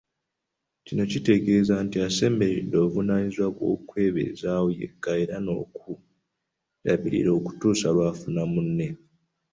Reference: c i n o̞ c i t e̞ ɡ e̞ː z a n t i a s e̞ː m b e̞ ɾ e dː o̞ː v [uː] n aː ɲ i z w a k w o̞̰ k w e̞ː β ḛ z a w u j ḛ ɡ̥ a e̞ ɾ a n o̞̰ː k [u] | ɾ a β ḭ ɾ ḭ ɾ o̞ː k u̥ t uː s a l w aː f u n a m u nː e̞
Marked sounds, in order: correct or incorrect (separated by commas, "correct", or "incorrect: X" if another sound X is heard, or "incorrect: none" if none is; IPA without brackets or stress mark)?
incorrect: u, correct